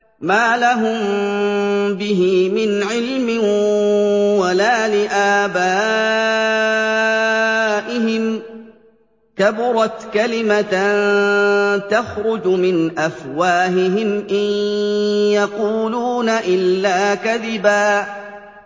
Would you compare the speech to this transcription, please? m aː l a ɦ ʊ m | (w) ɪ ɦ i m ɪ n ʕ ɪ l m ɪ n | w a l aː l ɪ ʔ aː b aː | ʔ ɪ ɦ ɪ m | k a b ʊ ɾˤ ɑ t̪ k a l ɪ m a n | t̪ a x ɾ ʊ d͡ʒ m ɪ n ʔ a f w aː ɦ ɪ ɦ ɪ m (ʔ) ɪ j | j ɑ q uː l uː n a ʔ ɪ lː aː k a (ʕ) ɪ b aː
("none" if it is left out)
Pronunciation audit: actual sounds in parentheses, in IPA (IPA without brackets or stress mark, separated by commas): b, ʔ, ð